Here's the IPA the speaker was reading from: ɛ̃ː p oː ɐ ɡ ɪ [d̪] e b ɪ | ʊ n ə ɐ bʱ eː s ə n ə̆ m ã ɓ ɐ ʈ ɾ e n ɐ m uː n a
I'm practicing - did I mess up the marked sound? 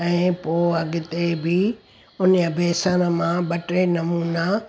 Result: yes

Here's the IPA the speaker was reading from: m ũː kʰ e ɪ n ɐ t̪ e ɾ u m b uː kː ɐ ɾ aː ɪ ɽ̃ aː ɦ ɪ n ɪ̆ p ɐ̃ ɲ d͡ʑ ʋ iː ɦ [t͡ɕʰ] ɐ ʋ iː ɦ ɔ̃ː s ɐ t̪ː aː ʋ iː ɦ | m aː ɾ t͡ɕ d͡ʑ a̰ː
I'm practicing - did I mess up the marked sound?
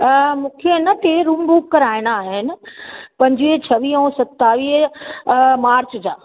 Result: no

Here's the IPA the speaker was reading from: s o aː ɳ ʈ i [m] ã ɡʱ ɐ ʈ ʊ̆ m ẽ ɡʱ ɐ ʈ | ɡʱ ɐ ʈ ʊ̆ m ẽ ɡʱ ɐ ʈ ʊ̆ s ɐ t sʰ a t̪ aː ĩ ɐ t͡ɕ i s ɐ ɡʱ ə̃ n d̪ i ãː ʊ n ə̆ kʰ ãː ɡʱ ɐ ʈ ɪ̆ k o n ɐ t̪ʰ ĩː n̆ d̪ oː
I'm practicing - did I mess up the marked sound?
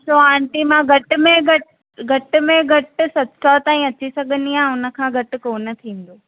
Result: no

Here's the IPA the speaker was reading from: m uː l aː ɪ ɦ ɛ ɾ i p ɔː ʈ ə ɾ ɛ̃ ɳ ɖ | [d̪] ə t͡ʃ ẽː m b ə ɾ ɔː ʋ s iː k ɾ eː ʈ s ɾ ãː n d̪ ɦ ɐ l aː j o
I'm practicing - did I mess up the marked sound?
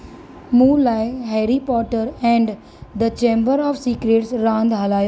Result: no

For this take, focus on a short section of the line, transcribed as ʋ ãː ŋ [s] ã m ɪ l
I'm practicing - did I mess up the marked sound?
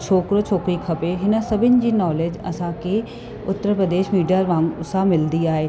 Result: no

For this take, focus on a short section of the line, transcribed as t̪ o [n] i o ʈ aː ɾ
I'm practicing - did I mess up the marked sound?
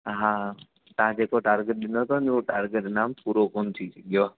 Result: no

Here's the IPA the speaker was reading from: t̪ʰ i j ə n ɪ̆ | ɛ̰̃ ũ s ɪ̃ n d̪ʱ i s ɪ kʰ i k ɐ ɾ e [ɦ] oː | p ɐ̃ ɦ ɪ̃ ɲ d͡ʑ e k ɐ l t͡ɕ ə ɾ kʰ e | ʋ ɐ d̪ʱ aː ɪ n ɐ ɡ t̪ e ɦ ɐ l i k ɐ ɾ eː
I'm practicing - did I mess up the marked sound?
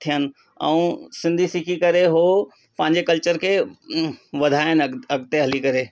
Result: no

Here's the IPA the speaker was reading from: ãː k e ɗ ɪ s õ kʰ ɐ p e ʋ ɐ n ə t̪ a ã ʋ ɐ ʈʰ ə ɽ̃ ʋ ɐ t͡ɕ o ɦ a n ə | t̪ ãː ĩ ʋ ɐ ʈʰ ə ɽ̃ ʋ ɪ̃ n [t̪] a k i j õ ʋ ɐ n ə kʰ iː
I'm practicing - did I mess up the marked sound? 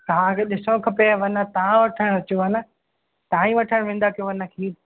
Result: yes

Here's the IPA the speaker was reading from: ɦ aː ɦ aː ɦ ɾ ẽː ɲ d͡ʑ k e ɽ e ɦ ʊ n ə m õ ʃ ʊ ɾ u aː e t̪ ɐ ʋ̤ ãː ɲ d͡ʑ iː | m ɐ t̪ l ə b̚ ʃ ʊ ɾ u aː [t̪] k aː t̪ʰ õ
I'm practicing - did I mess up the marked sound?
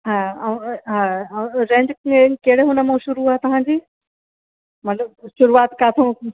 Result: no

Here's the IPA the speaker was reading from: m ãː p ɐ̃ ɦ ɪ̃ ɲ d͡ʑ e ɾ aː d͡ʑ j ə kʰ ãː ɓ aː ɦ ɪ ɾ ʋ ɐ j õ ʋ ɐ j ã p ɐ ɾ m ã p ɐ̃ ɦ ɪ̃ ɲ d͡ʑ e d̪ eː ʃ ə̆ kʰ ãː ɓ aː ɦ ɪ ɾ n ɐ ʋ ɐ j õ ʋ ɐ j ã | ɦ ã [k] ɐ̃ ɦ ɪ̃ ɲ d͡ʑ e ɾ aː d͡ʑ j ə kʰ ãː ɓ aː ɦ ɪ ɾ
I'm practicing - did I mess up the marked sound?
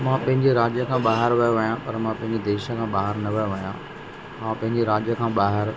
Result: yes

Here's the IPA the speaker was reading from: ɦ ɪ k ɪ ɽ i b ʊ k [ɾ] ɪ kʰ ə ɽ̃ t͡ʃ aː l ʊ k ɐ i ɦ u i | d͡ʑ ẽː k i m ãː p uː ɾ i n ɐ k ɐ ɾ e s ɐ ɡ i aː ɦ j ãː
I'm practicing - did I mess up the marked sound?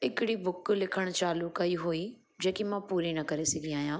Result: yes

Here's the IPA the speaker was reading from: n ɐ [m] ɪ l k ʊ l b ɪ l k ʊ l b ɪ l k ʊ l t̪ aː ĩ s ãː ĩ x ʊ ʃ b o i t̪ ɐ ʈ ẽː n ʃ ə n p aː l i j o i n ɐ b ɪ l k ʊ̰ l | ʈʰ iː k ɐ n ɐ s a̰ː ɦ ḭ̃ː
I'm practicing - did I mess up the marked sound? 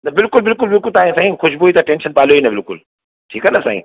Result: yes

